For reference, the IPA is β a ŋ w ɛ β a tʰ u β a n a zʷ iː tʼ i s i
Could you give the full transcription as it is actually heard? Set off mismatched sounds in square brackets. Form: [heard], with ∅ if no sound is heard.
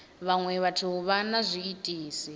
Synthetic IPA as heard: β a ŋ w ɛ β a tʰ u β a n a zʷ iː tʼ [iː] s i